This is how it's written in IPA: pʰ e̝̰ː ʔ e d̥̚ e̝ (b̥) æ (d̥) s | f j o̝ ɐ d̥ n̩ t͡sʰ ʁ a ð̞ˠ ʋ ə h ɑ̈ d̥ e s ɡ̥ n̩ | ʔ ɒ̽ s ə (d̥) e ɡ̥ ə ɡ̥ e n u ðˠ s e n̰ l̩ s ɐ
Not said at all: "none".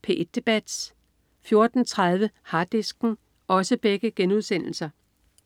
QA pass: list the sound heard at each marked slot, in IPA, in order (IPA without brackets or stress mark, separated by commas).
b̥, d̥, b̥